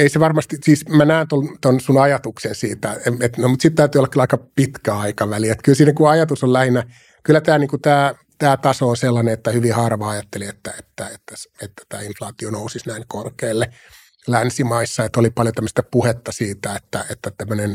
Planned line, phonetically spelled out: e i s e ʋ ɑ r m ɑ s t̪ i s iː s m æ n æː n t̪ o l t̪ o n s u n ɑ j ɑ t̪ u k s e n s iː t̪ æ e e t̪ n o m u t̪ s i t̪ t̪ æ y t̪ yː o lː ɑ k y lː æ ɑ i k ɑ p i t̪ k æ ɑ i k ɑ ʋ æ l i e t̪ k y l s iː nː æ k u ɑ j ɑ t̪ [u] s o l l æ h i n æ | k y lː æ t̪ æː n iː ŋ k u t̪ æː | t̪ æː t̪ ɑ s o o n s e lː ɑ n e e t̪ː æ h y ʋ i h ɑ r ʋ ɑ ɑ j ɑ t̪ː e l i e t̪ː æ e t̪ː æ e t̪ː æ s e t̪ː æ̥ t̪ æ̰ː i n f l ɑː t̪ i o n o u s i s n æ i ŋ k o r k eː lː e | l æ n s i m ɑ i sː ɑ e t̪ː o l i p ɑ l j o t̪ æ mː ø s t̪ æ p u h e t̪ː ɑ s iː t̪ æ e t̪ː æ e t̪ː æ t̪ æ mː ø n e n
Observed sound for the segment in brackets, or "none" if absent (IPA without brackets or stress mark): u